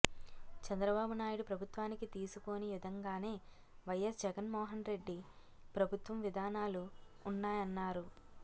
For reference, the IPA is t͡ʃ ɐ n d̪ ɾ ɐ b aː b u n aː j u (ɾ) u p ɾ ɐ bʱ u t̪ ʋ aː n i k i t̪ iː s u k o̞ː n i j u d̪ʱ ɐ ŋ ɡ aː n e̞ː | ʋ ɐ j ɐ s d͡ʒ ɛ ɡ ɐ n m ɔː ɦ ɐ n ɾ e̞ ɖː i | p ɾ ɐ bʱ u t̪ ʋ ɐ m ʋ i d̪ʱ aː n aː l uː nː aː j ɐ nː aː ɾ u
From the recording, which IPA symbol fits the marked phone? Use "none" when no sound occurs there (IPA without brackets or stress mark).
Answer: ɽ